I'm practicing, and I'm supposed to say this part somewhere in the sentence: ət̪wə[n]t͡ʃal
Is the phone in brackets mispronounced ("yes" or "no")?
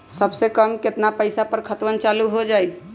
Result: no